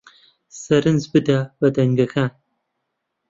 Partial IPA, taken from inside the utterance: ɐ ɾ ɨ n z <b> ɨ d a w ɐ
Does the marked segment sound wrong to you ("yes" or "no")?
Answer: no